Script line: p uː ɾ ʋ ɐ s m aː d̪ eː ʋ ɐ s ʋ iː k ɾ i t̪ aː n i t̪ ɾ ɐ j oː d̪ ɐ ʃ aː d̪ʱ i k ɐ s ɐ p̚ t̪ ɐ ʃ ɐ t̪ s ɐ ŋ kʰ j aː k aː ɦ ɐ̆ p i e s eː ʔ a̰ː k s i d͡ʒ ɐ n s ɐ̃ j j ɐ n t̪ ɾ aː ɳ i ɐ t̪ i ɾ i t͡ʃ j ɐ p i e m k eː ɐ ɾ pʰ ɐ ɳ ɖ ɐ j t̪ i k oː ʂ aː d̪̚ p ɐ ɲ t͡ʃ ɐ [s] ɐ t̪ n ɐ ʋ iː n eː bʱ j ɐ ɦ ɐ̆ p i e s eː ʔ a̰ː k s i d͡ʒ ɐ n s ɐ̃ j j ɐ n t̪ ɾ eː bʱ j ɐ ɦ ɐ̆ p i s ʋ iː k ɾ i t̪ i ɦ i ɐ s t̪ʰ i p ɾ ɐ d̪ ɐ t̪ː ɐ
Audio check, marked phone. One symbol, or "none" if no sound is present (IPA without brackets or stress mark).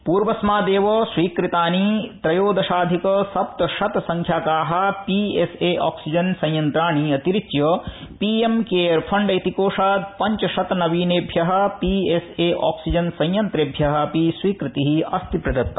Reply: ʃ